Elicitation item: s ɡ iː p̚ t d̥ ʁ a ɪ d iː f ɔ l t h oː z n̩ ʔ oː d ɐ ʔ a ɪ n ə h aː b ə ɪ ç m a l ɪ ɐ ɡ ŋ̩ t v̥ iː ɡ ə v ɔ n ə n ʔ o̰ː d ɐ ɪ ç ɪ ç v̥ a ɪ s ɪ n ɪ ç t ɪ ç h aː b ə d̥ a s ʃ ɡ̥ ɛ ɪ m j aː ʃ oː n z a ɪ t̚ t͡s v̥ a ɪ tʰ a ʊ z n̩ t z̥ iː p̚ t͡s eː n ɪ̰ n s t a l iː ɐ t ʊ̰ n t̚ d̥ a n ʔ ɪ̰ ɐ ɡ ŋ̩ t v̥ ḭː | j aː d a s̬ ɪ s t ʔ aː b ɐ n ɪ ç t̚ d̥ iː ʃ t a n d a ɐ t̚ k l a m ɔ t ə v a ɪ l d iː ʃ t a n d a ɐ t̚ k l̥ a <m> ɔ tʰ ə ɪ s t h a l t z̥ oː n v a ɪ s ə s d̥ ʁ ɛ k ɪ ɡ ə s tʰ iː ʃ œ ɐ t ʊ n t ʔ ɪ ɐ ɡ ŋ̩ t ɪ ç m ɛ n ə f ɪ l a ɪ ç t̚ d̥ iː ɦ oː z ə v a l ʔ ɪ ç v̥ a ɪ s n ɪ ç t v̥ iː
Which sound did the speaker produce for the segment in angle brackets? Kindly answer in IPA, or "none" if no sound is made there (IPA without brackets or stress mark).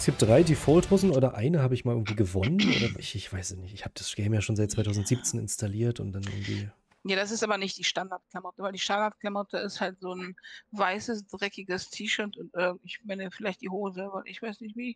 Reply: m